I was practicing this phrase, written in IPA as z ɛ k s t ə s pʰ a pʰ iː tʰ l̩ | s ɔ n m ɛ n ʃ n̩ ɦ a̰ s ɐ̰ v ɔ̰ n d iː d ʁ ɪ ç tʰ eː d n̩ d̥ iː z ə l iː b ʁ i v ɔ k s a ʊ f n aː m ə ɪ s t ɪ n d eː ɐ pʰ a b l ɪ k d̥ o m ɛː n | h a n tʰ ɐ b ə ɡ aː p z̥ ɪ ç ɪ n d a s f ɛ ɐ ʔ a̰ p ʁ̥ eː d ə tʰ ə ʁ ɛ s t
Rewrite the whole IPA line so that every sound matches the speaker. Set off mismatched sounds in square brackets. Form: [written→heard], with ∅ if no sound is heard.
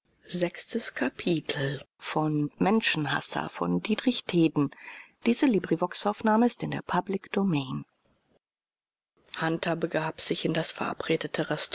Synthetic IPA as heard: z ɛ k s t ə s [pʰ→kʰ] a pʰ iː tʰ l̩ | [s→f] ɔ n m ɛ n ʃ n̩ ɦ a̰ s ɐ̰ [v→f] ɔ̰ n d iː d ʁ ɪ ç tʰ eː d n̩ d̥ iː z ə l iː b ʁ i v ɔ k s a ʊ f n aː m ə ɪ s t ɪ n d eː ɐ pʰ a b l ɪ k d̥ o m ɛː n | h a n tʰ ɐ b ə ɡ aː p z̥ ɪ ç ɪ n d a s f ɛ ɐ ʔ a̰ p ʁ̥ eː d ə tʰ ə ʁ ɛ s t